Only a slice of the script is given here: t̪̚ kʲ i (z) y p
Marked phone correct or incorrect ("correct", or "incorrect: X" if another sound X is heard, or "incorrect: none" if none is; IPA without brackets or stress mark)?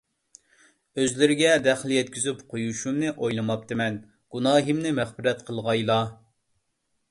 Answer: correct